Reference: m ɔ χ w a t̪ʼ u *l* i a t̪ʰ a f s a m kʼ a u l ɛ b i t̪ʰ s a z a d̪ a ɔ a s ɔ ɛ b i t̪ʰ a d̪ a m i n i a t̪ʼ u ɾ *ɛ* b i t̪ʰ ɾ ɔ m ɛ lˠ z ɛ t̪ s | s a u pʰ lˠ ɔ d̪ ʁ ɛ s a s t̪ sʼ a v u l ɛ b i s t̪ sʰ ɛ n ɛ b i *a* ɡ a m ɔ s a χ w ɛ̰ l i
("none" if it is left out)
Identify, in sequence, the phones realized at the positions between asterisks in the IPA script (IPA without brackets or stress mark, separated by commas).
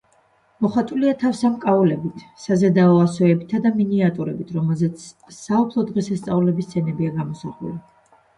l, ɛ, a